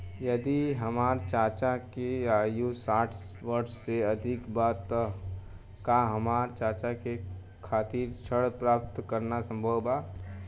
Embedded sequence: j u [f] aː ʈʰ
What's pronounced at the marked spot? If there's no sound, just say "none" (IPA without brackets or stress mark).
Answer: s